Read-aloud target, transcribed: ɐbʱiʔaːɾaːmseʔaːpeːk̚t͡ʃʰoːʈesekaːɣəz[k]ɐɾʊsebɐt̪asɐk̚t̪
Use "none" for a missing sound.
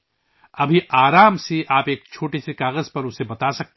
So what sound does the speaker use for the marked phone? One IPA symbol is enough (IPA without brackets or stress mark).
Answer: p